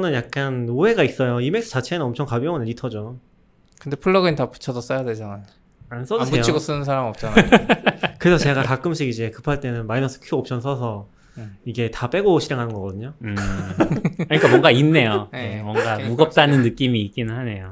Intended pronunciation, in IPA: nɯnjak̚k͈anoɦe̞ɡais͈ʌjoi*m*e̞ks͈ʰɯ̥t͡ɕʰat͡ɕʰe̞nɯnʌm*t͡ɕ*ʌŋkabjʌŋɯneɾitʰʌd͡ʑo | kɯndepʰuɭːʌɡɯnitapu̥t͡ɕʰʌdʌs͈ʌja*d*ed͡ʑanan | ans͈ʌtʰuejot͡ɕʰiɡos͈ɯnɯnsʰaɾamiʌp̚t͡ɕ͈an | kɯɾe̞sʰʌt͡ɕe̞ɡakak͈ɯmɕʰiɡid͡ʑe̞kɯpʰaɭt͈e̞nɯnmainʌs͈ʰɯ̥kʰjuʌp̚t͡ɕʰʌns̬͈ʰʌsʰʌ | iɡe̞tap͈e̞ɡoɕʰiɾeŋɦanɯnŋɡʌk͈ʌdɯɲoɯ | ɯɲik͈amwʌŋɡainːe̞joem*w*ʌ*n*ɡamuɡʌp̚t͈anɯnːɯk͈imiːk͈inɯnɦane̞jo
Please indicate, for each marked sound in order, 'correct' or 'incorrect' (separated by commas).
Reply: correct, incorrect, correct, correct, incorrect